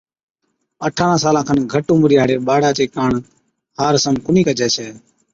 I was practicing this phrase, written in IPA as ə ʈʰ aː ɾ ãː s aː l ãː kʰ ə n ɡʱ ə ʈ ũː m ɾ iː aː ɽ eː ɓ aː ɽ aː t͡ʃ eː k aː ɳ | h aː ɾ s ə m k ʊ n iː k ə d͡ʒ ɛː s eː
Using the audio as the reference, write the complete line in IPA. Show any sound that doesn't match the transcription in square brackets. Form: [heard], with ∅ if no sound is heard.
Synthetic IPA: ə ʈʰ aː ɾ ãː s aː l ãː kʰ ə n ɡʱ ə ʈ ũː m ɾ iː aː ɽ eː ɓ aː ɽ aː t͡ʃ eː k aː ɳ | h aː ɾ s ə m k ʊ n iː k ə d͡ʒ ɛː s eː